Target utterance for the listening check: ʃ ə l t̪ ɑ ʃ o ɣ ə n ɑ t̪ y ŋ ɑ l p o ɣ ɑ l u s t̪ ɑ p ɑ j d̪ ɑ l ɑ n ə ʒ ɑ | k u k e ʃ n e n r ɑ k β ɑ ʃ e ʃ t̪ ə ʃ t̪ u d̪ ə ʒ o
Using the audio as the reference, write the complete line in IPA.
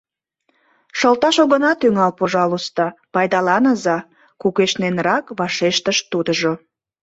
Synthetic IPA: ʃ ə l t̪ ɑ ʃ o ɣ ə n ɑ t̪ y ŋ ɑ l p o ʒ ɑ l u s t̪ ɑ p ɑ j d̪ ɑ l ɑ n ə z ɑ | k u k e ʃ n e n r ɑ k β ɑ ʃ e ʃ t̪ ə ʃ t̪ u d̪ ə ʒ o